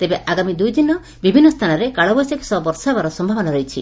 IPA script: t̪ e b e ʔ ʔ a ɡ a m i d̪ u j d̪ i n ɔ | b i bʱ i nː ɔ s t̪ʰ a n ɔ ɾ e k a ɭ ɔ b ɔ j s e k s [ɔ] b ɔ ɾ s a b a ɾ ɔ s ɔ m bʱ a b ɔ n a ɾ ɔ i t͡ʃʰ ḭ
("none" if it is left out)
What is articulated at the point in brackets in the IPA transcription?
ɔ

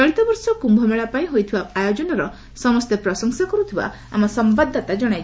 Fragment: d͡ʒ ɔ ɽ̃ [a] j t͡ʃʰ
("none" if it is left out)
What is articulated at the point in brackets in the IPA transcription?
a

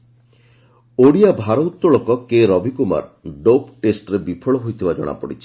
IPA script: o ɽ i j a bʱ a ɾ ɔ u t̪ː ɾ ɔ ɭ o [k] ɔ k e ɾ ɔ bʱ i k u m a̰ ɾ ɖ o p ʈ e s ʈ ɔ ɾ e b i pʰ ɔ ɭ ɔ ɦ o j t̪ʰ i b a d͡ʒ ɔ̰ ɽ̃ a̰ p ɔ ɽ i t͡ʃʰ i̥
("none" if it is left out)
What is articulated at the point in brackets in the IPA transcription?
k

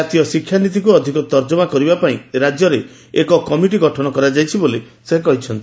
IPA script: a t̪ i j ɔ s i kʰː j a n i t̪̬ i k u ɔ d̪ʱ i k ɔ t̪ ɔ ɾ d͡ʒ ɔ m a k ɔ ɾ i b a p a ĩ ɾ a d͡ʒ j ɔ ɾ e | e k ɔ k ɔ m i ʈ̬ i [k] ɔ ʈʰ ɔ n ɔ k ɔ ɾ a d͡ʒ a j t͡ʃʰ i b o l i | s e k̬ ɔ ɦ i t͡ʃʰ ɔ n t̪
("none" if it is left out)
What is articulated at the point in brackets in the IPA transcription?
ɡ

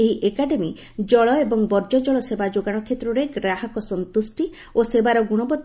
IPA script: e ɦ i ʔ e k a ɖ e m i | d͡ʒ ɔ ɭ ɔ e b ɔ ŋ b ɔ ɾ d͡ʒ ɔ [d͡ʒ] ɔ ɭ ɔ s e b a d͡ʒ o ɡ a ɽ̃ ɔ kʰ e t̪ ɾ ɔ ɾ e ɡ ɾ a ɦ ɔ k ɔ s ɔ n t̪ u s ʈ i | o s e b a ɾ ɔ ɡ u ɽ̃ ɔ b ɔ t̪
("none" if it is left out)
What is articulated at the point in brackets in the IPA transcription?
d͡ʒ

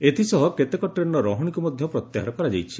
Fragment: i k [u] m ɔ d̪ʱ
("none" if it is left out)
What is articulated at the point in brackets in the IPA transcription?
u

